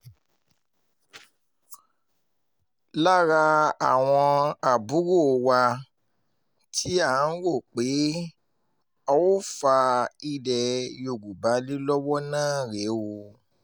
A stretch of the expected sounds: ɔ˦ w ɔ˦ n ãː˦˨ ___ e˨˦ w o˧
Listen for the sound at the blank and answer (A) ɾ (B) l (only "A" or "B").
A